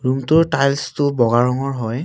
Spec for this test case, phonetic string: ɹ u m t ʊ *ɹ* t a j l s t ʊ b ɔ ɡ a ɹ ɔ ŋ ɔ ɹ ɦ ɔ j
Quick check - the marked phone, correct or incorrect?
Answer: correct